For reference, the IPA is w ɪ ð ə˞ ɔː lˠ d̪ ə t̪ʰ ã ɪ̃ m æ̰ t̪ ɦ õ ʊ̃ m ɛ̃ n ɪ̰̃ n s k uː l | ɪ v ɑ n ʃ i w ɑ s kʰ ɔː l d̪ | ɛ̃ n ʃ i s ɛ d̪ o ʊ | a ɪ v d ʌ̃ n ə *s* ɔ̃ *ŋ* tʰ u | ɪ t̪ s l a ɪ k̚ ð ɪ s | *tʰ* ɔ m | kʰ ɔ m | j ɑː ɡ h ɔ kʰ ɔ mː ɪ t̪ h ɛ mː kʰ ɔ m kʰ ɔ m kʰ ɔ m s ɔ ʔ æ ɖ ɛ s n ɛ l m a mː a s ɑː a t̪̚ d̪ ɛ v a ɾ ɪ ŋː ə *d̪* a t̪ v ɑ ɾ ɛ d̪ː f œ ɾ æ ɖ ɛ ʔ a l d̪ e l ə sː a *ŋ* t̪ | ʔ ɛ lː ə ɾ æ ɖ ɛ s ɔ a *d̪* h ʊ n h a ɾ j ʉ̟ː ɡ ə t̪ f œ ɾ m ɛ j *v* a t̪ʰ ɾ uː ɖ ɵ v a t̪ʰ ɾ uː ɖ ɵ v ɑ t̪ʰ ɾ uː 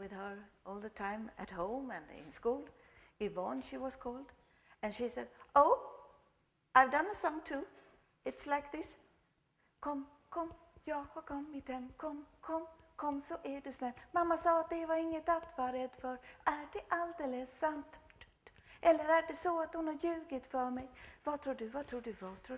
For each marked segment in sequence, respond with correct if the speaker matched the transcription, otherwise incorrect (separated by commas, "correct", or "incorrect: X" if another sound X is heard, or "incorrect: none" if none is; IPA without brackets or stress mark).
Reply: correct, correct, incorrect: kʰ, incorrect: t̪, incorrect: n, incorrect: t̪, correct